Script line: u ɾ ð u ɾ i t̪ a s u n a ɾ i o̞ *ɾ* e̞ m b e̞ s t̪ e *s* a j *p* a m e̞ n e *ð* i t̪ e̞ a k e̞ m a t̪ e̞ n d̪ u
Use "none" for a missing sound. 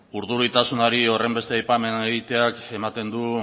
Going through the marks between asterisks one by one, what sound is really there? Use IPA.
r, none, p, ɣ

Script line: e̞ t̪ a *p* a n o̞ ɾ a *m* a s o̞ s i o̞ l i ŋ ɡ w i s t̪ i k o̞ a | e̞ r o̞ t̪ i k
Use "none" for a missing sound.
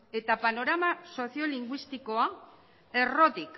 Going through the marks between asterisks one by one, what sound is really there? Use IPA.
p, m

